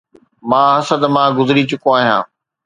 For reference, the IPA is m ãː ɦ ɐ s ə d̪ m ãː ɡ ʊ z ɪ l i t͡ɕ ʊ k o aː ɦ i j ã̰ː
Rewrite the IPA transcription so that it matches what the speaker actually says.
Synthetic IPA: m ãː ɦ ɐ s ə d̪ m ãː ɡ ʊ z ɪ ɾ i t͡ɕ ʊ k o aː ɦ i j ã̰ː